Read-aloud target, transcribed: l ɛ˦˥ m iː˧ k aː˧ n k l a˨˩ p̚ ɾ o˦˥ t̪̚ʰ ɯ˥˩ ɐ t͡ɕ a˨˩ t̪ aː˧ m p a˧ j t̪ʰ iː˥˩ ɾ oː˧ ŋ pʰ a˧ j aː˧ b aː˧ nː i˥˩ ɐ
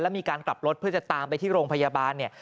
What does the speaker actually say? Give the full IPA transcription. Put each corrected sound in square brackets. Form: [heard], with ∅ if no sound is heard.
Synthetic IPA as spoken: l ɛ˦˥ m iː˧ k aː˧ n k l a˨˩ p̚ ɾ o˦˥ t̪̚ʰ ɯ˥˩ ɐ t͡ɕ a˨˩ t̪ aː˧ m p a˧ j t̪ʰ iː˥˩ ɾ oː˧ ŋ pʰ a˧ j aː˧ b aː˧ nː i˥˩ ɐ